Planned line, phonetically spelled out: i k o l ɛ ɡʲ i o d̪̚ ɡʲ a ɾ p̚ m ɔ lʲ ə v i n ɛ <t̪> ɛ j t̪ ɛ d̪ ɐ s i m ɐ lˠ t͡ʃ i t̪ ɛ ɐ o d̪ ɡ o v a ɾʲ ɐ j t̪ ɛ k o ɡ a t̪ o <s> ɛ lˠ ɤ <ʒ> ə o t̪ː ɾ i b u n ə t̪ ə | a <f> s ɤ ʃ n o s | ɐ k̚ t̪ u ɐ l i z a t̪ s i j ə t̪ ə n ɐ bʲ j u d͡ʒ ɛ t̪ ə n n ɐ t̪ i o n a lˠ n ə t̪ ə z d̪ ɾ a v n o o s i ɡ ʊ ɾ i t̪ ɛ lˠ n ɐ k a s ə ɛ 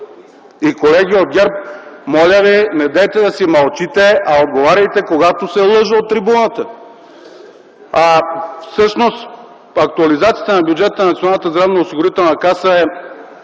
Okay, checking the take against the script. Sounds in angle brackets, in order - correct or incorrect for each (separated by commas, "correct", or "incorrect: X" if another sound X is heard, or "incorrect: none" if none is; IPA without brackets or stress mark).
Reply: incorrect: d̪, correct, correct, correct